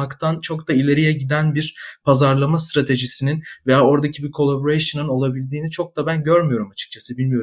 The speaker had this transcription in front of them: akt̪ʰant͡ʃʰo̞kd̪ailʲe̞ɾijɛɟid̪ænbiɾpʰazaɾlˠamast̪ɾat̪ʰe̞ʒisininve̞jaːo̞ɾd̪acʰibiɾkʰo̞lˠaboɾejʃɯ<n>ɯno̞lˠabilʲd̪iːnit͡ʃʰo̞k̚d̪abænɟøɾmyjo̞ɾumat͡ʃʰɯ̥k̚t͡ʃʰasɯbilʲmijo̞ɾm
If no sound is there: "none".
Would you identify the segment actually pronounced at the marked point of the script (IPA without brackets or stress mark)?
n